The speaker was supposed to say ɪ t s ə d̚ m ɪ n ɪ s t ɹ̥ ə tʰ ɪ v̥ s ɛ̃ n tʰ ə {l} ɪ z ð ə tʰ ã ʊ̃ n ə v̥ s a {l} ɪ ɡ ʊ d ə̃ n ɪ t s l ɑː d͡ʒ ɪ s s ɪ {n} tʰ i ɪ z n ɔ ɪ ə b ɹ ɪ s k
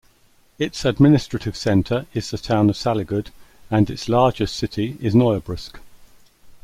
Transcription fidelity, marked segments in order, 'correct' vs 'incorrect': incorrect: ɹ, correct, incorrect: none

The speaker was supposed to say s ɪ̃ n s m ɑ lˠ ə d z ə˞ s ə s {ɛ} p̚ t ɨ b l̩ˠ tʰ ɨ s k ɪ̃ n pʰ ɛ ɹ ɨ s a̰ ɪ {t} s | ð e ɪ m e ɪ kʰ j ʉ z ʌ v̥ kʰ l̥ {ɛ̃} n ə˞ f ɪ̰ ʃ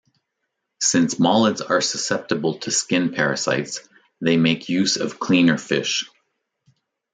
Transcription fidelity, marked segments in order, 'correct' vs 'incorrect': correct, correct, incorrect: ĩ

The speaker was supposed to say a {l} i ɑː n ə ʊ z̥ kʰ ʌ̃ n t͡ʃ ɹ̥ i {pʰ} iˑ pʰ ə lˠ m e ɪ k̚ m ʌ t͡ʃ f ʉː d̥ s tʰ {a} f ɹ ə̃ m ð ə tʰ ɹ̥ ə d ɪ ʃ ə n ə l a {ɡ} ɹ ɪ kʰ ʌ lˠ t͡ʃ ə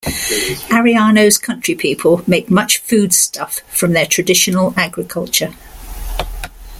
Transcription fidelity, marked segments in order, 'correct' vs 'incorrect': incorrect: ɹ, correct, incorrect: ʌ, correct

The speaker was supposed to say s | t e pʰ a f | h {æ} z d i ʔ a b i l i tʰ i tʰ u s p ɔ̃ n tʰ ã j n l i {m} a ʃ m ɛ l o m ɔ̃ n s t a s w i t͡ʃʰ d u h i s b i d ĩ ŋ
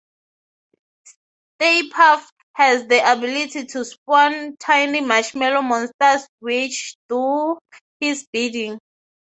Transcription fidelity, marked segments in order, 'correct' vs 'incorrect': incorrect: ɛ, correct

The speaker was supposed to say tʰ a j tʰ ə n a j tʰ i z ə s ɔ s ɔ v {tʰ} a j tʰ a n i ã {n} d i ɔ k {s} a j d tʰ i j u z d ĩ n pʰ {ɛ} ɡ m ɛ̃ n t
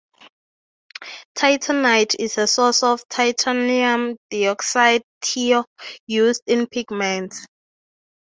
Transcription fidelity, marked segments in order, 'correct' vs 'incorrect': correct, incorrect: m, correct, incorrect: i

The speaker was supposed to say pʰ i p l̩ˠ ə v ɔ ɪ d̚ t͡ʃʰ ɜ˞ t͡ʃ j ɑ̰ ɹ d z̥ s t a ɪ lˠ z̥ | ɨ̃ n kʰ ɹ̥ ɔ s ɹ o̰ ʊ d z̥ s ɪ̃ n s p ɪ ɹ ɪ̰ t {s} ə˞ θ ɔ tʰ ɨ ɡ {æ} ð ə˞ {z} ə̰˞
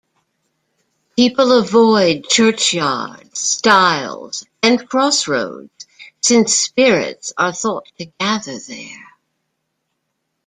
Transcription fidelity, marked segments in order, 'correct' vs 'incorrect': correct, correct, incorrect: ð

